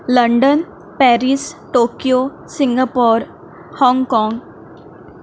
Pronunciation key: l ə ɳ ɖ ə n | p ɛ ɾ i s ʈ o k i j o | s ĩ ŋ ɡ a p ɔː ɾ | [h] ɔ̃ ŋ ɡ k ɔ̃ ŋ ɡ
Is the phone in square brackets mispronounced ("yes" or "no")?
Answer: no